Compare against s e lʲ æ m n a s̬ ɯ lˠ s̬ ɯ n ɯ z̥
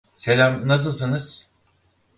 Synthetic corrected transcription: s e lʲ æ m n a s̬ ɯ lˠ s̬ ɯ n ɯ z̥